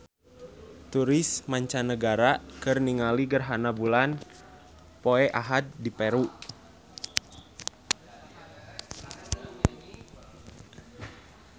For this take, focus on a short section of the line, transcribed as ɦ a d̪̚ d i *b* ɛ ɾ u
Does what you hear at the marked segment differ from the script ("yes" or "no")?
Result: yes